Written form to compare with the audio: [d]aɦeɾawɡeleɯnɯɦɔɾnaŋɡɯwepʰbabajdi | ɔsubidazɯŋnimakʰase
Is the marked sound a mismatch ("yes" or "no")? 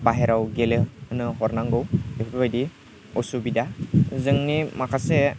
yes